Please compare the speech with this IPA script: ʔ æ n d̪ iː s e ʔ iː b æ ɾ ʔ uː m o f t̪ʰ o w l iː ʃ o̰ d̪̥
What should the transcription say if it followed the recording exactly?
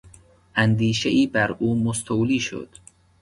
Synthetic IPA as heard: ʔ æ n d̪ iː ʃ e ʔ iː b æ ɾ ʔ uː m o s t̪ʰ o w l iː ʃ o̰ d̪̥